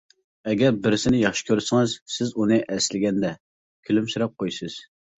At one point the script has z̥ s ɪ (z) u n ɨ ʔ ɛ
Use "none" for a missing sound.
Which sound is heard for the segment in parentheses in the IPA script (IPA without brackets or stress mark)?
z